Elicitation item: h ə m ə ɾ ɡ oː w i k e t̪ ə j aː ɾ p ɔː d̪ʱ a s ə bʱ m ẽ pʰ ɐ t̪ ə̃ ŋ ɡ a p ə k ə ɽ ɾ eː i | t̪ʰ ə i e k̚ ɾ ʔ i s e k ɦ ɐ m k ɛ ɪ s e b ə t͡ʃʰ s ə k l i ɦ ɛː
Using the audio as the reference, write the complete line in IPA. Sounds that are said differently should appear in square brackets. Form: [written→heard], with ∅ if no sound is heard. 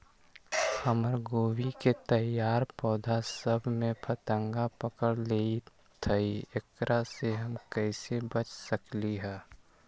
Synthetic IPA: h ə m ə ɾ ɡ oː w i k e t̪ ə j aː ɾ p ɔː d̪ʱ a s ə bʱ m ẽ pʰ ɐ t̪ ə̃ ŋ ɡ a p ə k ə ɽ [ɾ→l] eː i | t̪ʰ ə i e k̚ ɾ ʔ [i→a] s e [k→∅] ɦ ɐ m k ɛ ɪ s e b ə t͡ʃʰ s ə k l i ɦ ɛː